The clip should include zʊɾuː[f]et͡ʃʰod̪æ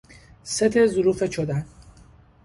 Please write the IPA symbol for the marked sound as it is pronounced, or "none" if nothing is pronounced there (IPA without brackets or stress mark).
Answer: f